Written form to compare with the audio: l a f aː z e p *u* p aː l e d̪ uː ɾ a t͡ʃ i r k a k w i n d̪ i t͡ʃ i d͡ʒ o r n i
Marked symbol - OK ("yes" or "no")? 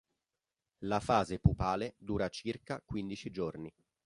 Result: yes